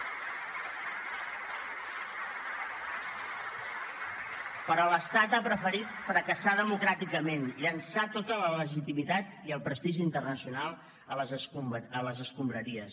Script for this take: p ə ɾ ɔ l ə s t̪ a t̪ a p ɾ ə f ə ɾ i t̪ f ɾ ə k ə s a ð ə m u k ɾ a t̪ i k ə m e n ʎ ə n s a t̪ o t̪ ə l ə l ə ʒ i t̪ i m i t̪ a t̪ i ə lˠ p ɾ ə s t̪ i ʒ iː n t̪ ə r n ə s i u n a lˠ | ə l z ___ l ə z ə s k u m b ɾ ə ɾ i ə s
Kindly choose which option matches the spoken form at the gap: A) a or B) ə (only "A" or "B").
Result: B